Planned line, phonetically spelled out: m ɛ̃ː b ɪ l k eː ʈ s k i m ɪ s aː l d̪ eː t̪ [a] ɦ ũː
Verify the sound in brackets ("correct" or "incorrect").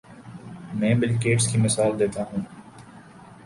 correct